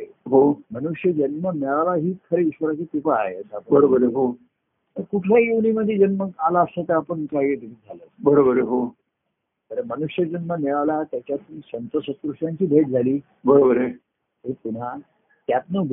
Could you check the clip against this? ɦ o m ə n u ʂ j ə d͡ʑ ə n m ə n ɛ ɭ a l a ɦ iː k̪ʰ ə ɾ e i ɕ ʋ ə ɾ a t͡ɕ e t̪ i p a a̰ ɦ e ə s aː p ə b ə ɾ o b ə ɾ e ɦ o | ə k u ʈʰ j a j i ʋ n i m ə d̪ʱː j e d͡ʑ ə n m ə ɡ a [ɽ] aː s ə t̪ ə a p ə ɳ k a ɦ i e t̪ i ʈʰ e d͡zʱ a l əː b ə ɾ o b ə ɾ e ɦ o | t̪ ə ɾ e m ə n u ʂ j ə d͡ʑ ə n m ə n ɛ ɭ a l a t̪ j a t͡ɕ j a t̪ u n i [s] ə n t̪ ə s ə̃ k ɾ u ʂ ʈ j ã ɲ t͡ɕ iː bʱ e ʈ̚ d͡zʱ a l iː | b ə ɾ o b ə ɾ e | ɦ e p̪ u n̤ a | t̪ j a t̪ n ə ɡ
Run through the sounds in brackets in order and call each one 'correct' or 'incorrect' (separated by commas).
incorrect, correct